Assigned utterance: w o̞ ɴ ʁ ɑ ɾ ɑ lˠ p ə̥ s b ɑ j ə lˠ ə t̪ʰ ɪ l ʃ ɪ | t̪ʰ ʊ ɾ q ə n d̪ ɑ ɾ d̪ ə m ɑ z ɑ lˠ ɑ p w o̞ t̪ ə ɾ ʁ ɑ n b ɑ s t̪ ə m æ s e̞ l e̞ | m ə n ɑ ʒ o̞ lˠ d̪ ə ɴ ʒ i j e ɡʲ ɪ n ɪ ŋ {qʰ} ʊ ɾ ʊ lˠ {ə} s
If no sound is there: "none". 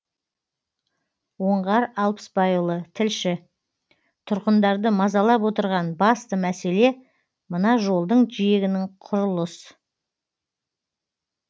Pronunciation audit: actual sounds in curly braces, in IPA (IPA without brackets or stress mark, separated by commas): qʰ, ə